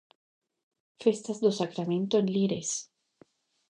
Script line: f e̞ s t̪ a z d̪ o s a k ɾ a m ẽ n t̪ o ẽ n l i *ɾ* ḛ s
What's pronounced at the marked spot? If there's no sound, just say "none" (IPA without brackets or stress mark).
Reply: ɾ